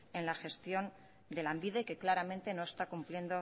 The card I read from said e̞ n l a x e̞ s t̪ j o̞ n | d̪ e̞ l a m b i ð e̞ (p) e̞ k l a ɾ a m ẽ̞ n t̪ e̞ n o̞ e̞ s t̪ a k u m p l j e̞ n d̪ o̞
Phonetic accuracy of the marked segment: incorrect: k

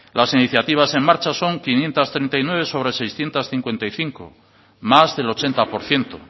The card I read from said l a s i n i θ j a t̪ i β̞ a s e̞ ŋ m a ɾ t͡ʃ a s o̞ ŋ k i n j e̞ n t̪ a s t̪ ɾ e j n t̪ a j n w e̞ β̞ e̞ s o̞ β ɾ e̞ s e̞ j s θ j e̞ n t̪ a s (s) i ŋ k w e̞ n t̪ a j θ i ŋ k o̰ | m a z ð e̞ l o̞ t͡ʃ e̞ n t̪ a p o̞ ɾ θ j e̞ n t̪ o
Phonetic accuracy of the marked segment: incorrect: θ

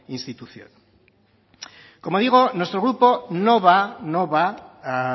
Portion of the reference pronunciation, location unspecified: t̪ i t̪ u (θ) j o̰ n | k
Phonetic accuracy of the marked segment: correct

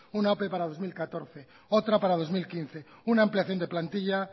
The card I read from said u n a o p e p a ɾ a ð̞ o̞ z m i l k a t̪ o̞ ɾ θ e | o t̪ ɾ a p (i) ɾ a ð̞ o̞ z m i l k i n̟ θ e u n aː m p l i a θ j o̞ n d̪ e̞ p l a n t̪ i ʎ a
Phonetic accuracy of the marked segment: incorrect: a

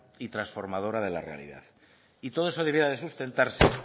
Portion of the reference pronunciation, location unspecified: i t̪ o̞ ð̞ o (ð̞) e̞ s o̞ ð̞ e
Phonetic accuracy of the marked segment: incorrect: none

